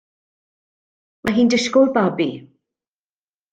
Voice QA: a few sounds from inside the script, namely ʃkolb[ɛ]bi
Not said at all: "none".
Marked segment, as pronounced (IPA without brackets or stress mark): a